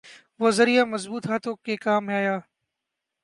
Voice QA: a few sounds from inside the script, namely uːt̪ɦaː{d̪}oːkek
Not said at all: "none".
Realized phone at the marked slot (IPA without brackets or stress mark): t̪